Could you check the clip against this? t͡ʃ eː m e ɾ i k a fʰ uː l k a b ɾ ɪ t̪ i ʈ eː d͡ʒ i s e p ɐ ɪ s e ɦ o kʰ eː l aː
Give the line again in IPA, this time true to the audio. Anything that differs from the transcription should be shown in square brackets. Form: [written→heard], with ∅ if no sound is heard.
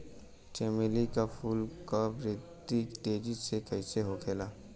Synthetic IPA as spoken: t͡ʃ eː m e [ɾ→l] i k a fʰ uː l k a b ɾ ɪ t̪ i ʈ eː d͡ʒ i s e [p→k] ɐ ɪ s e ɦ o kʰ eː l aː